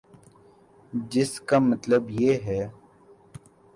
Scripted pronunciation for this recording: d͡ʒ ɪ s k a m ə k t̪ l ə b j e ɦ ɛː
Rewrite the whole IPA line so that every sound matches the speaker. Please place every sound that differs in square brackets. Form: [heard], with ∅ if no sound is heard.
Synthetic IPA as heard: d͡ʒ ɪ s k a m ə [∅] t̪ l ə b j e ɦ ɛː